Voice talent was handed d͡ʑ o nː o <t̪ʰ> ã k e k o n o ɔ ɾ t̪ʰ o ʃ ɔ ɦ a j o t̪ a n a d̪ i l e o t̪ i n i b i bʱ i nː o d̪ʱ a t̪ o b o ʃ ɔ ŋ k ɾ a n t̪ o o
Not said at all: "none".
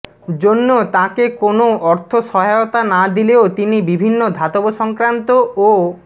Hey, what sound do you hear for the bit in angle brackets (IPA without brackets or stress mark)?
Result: t̪